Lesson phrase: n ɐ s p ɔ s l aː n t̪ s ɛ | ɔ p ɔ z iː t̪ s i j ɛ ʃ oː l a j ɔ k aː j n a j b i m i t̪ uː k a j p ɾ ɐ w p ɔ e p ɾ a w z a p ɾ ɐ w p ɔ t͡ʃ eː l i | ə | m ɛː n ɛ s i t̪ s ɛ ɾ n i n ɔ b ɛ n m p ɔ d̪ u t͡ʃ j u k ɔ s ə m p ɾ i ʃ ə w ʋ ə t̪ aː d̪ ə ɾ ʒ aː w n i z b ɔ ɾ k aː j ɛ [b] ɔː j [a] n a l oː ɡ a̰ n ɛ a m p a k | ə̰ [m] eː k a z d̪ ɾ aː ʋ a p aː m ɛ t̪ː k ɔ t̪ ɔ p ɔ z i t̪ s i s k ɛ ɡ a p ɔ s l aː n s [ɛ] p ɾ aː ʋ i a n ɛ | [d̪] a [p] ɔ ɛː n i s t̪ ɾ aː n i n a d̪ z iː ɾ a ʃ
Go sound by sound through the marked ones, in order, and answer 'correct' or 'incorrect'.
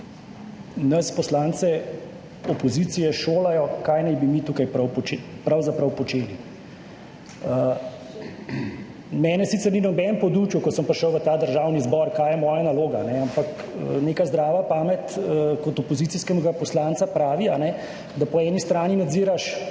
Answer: incorrect, correct, incorrect, incorrect, correct, correct

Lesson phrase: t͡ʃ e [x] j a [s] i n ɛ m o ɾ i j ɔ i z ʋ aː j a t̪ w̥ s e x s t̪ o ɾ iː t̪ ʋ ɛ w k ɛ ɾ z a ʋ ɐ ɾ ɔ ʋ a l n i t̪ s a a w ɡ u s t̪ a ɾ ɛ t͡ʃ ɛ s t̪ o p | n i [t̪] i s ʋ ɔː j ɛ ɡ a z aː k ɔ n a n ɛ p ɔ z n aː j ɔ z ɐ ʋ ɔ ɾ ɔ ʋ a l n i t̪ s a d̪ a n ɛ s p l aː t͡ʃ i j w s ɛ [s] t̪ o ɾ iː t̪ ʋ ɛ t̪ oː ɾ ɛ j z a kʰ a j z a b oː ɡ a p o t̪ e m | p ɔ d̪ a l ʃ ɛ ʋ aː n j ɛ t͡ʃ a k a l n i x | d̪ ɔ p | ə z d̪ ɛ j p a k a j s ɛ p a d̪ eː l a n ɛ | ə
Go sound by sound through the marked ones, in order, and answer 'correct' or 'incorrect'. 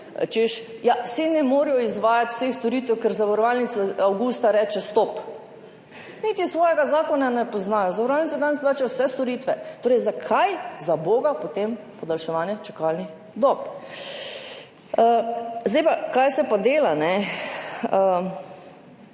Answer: incorrect, correct, correct, correct

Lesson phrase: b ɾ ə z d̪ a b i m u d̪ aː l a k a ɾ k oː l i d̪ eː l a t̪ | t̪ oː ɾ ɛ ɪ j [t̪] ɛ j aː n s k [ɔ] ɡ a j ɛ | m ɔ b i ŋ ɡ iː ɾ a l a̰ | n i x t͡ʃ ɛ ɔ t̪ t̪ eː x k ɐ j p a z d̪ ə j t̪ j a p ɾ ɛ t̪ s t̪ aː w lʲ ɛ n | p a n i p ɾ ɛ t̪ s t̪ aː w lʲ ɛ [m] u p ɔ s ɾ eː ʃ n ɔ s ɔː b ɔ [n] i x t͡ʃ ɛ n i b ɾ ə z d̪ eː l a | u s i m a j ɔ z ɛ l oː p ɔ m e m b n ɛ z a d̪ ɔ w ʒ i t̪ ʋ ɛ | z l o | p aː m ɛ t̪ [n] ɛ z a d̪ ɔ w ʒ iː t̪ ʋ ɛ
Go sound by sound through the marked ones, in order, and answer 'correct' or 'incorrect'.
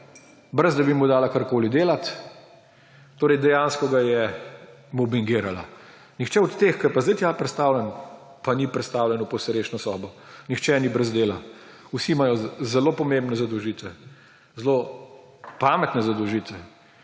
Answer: incorrect, correct, incorrect, correct, correct

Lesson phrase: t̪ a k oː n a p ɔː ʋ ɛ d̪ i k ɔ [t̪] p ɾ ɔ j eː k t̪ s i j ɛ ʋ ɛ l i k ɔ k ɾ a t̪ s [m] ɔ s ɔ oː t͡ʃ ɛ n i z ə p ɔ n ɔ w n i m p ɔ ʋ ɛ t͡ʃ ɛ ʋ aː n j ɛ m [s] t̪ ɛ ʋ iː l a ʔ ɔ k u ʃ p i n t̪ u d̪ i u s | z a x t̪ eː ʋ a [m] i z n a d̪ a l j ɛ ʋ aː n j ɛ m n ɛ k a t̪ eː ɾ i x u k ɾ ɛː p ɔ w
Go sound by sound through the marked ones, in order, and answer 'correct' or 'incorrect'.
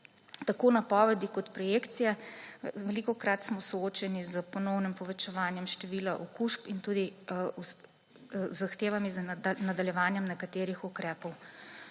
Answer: correct, correct, incorrect, correct

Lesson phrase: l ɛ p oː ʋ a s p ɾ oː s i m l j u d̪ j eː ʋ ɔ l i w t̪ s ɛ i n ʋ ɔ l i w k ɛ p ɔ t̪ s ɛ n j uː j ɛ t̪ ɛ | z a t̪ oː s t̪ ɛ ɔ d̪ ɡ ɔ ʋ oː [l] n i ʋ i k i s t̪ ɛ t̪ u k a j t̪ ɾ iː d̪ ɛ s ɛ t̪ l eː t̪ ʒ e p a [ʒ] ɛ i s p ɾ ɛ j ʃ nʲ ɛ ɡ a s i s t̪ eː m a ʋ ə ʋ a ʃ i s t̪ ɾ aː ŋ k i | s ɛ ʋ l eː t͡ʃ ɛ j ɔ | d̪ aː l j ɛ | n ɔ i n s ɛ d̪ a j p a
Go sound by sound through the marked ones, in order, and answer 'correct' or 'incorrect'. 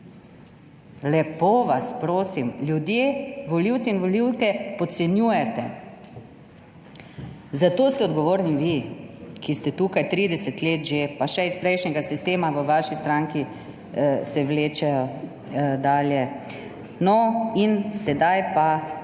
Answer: incorrect, incorrect

